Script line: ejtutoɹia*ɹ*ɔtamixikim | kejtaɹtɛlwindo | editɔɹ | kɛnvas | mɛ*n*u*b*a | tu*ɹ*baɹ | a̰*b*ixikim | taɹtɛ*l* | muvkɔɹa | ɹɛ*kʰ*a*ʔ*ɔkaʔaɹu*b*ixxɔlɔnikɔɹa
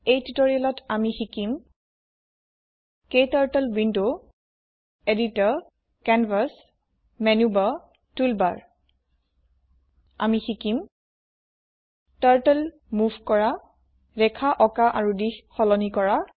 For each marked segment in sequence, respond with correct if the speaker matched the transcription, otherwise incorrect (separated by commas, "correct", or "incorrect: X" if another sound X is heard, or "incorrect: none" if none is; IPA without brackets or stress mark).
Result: incorrect: l, correct, correct, incorrect: l, incorrect: m, correct, correct, correct, incorrect: d